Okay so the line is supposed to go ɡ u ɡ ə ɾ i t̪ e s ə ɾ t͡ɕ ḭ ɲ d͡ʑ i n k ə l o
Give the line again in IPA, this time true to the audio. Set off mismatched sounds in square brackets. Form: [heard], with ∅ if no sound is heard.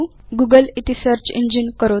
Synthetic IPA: ɡ u ɡ ə [l] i t̪ [i] s ə ɾ t͡ɕ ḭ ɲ d͡ʑ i n k ə [ɾ] o